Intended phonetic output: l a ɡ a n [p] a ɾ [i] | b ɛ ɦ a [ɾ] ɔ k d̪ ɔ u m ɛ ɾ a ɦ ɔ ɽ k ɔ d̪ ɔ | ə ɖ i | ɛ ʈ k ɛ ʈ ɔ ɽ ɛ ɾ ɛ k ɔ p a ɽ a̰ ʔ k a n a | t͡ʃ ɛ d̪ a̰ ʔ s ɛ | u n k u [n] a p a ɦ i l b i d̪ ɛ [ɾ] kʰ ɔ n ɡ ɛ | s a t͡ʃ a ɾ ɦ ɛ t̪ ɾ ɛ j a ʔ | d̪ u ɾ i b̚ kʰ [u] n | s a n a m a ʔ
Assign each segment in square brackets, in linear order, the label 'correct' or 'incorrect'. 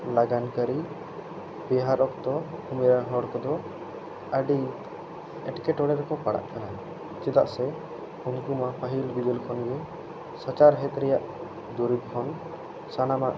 incorrect: k, correct, correct, incorrect: m, incorrect: l, incorrect: ɔ

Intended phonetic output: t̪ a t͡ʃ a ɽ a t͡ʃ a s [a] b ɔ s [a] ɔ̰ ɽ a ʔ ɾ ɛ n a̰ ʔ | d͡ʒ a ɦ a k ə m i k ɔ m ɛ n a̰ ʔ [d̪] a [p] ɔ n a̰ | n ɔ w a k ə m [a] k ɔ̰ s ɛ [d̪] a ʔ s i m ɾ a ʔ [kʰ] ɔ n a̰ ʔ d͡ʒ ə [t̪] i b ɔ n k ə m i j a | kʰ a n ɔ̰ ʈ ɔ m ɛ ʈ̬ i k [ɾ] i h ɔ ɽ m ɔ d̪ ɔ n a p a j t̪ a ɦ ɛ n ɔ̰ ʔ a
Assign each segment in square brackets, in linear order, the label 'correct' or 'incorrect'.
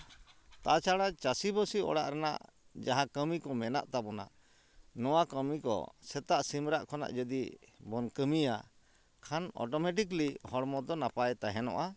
incorrect: i, incorrect: i, incorrect: t̪, incorrect: b, incorrect: i, incorrect: t̪, correct, incorrect: d̪, incorrect: l

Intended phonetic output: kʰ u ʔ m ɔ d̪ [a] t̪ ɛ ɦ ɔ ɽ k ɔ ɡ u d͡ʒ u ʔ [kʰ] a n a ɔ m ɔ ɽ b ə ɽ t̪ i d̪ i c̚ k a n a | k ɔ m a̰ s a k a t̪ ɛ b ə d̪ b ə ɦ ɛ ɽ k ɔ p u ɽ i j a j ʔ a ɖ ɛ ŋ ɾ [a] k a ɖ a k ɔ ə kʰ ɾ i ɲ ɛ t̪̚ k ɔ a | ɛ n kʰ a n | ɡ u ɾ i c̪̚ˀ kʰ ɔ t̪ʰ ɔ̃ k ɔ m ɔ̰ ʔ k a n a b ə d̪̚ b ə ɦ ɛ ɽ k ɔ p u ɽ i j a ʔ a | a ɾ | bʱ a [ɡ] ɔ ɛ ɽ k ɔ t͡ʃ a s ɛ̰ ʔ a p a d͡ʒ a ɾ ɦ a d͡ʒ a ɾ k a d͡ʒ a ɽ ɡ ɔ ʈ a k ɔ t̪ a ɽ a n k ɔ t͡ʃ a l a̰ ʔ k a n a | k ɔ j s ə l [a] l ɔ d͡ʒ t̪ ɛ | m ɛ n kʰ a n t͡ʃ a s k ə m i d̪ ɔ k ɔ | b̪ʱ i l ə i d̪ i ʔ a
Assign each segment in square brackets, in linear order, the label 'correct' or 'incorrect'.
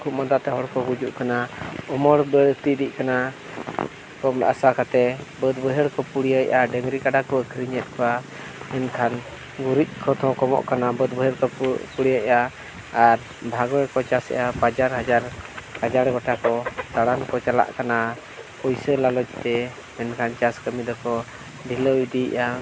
correct, incorrect: k, incorrect: i, correct, correct

